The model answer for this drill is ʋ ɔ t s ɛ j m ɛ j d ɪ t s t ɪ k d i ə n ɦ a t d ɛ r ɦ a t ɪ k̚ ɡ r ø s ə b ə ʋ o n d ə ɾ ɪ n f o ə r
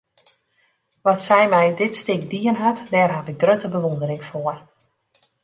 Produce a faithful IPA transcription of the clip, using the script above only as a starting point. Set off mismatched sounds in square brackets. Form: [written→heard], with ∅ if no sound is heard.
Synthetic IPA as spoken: ʋ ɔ t s ɛ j m ɛ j d ɪ t s t ɪ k d i ə n ɦ a t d ɛ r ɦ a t ɪ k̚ ɡ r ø [s→t] ə b ə ʋ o n d ə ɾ ɪ [n→ŋ] f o ə r